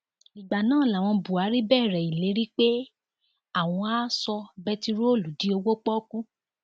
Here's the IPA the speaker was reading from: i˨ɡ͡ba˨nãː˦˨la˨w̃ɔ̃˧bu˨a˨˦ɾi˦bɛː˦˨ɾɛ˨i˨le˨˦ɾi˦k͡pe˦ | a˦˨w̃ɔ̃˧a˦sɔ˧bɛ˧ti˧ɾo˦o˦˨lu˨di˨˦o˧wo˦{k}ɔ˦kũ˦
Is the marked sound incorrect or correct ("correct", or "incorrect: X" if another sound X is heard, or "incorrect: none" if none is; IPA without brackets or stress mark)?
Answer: incorrect: k͡p